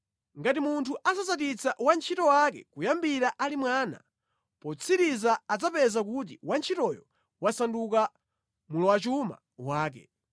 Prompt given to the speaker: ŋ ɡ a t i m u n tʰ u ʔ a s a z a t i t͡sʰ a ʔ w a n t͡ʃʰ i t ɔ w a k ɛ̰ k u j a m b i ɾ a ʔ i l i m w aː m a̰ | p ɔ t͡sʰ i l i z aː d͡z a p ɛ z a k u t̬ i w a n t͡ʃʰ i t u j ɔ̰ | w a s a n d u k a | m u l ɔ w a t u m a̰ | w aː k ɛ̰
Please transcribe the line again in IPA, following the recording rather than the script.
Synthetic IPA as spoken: ŋ ɡ a t i m u n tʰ u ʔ a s a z a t i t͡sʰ a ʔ w a n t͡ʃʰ i t ɔ w a k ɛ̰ k u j a m b i ɾ a ʔ a l i m w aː n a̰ | p ɔ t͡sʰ i ɾ i z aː d͡z a p ɛ z a k u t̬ i w a n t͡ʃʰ i t ɔ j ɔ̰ | w a s a n d u k a | m u l ɔ w a t͡ʃ u m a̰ | w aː k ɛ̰